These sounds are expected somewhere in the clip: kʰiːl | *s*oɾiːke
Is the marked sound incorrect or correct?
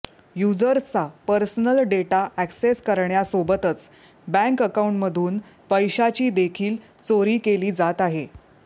incorrect: t͡s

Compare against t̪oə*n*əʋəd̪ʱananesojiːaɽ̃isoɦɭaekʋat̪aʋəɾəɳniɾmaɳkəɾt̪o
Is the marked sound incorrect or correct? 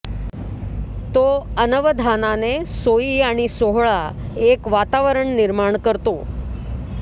correct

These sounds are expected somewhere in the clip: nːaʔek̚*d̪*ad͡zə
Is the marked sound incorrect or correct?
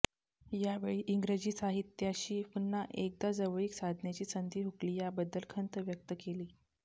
correct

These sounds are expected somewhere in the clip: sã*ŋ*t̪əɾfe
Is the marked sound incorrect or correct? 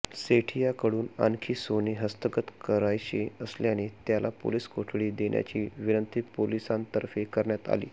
incorrect: n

